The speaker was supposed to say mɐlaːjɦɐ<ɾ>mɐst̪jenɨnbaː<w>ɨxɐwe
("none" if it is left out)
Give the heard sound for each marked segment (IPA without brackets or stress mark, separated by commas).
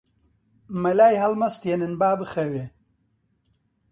l, b